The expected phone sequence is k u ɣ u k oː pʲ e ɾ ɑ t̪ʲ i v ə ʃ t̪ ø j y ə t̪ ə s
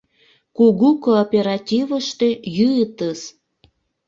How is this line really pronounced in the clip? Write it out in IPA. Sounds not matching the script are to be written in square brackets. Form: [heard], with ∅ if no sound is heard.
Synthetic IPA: k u ɣ u k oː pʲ e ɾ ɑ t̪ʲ i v ə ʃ t̪ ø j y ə t̪ ə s